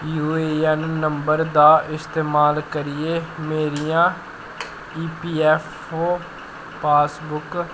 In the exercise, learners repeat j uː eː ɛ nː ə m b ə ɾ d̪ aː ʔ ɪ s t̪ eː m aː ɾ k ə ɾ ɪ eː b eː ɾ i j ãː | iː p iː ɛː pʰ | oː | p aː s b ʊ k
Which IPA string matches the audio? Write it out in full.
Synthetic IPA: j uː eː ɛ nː ə m b ə ɾ d̪ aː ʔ ɪ s t̪ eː m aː l k ə ɾ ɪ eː m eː ɾ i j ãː | iː p iː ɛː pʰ | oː | p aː s b ʊ k